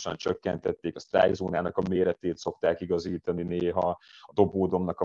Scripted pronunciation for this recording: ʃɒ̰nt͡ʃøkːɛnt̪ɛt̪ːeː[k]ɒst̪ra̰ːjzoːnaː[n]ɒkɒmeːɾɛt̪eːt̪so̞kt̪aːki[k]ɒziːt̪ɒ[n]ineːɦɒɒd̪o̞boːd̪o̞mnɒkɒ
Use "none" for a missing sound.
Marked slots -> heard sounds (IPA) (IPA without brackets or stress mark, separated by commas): k, n, ɡ, n